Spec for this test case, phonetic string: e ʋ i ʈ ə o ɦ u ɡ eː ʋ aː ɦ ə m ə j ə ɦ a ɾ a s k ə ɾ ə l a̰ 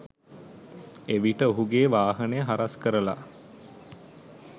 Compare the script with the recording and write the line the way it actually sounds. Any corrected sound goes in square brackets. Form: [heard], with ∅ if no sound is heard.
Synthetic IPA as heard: e ʋ i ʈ ə o ɦ u ɡ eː ʋ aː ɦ ə [n] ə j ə ɦ a ɾ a s k ə ɾ ə l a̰